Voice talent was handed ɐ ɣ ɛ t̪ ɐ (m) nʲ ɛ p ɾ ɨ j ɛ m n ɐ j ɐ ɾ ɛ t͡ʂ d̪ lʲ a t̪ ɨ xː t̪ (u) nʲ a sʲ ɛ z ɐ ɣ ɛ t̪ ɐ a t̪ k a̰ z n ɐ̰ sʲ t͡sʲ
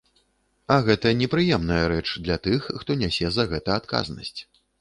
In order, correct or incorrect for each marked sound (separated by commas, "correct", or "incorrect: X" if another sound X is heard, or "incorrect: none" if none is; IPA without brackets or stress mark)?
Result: incorrect: none, incorrect: ɔ